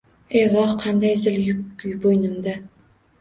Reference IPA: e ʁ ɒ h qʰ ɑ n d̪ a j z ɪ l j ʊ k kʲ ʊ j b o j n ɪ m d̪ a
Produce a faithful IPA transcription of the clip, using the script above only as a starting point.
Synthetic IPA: e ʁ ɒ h qʰ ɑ n d̪ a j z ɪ l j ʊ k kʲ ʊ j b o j n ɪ m d̪ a